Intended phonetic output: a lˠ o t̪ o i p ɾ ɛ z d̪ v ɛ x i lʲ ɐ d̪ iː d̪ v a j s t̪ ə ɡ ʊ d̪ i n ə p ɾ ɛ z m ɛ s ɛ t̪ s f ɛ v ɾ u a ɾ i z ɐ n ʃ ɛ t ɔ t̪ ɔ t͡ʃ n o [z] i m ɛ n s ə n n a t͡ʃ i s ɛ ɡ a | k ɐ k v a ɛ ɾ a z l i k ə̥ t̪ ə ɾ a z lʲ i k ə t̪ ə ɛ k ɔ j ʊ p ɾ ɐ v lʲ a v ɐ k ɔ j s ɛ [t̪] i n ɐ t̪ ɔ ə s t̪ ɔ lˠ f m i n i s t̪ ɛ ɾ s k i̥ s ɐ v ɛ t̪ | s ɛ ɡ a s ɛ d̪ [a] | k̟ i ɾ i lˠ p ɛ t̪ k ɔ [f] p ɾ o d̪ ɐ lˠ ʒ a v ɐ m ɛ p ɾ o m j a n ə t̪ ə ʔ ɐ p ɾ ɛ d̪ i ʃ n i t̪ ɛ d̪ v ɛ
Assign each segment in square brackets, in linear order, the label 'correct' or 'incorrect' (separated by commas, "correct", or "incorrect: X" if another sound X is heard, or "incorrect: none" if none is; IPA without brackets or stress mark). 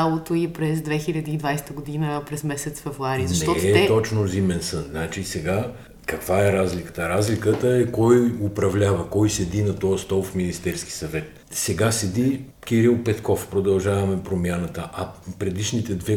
correct, incorrect: d̪, incorrect: i, correct